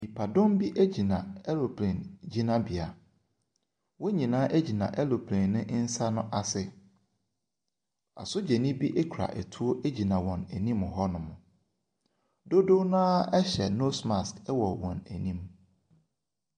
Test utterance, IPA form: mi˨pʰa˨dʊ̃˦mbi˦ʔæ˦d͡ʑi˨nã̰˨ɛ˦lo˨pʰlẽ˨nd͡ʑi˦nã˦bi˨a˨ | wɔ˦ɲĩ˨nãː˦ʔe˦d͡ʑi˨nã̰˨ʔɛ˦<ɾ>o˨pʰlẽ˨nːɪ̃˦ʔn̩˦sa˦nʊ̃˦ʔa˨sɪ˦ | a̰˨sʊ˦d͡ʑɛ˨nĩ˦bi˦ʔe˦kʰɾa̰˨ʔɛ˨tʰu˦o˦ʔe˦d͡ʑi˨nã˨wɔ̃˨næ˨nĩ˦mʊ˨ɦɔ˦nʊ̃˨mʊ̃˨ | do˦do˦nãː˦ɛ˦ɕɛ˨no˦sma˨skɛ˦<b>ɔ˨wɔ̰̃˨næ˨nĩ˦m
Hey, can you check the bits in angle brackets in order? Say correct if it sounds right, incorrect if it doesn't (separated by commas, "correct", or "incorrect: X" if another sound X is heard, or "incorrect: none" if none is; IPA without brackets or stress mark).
incorrect: l, incorrect: w